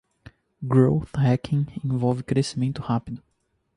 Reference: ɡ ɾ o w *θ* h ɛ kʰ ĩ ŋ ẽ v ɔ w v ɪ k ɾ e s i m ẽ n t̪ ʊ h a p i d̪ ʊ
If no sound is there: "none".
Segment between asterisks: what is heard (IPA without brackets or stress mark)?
θ